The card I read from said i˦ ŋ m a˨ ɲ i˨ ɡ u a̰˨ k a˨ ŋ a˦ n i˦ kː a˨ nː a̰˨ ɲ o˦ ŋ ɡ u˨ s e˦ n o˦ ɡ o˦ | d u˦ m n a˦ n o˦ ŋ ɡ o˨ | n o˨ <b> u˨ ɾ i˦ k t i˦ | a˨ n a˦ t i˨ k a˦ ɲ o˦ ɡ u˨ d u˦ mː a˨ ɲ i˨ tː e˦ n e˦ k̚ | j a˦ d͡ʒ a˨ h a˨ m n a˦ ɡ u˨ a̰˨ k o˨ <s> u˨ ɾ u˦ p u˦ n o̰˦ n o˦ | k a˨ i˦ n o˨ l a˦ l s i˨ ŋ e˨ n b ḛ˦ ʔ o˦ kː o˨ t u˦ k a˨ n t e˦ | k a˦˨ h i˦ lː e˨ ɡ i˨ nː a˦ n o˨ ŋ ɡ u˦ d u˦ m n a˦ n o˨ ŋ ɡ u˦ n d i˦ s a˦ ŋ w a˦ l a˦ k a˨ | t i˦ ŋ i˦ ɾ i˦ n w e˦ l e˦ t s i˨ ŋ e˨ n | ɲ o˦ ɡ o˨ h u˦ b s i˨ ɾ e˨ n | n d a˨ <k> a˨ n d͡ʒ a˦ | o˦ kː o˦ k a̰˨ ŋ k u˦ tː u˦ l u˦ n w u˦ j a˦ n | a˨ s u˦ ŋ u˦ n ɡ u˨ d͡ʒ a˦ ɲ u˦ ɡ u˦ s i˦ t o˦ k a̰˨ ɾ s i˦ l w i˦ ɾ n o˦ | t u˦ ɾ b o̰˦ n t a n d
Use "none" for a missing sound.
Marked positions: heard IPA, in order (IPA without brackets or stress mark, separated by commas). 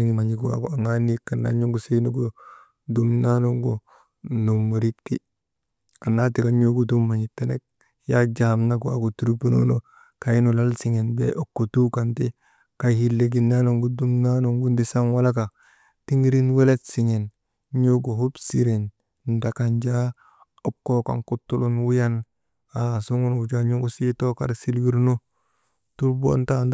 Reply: m, t, k